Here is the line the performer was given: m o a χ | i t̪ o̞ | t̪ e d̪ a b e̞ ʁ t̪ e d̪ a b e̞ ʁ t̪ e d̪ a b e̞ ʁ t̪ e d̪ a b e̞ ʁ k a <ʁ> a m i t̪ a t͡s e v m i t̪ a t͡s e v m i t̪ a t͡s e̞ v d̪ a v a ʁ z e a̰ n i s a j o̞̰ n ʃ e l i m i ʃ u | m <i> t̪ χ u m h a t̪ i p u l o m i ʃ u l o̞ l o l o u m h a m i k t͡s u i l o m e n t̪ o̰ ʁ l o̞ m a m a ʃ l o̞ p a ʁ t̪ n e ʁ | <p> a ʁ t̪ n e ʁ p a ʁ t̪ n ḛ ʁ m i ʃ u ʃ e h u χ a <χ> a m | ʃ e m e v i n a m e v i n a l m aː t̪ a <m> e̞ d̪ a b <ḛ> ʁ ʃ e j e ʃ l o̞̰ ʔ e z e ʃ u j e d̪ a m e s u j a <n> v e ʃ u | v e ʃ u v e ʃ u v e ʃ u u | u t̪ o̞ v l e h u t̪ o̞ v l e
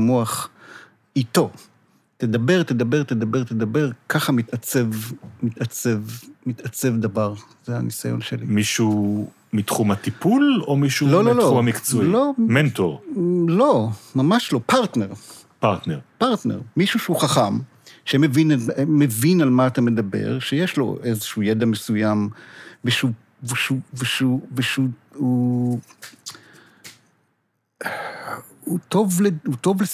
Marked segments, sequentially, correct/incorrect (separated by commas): incorrect, correct, correct, correct, correct, correct, incorrect